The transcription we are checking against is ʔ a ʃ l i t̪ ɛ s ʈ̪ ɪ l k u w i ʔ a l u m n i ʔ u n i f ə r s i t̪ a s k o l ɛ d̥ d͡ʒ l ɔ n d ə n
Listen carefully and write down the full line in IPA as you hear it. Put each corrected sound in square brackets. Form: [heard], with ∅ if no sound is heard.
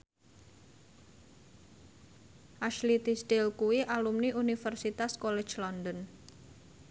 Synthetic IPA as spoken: ʔ a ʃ l i t̪ [i] s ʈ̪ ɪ l k u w i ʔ a l u m n i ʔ u n i f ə r s i t̪ a s k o l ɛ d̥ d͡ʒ l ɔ n d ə n